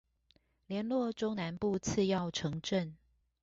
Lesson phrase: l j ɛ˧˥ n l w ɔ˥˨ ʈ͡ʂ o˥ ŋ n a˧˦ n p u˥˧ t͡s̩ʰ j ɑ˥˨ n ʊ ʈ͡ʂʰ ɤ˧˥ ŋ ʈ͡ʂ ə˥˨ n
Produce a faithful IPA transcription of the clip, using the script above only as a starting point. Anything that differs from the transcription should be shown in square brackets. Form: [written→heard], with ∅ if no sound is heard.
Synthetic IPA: l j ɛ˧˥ n l w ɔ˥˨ ʈ͡ʂ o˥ ŋ n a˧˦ n p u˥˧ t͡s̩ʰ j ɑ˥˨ [n→∅] ʊ ʈ͡ʂʰ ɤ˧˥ ŋ ʈ͡ʂ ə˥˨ n